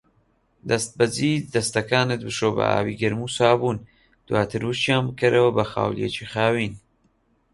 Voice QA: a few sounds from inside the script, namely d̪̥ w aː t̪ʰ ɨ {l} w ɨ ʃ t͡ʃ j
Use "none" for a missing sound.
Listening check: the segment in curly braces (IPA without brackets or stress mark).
ɾ